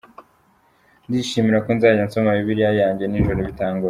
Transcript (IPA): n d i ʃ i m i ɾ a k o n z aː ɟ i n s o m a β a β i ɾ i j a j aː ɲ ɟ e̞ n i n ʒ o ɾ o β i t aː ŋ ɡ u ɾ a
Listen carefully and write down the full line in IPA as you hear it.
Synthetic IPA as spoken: n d i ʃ i m i ɾ a k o n z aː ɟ a n s o m a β i β i ɾ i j a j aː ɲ ɟ e̞ n i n ʒ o ɾ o β i t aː ŋ ɡ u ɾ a